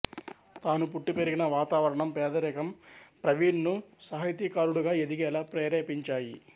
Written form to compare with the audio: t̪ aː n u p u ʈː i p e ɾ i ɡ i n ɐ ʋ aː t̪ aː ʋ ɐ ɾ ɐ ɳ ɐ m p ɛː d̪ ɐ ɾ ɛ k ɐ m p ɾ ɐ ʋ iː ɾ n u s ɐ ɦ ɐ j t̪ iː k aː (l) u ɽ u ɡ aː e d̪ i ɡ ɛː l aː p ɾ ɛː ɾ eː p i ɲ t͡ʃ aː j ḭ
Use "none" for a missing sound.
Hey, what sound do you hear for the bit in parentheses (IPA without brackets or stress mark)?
ɾ